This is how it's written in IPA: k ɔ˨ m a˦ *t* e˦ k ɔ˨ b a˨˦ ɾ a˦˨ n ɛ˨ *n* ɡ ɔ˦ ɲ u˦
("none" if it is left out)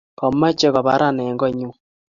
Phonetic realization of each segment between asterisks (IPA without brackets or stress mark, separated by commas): t͡ʃ, ŋ